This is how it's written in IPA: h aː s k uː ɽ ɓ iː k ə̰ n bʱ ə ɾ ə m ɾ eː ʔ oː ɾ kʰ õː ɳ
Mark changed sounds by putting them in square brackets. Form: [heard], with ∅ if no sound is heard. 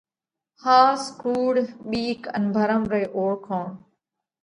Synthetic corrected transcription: h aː s k uː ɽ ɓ iː k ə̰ n bʱ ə ɾ ə m ɾ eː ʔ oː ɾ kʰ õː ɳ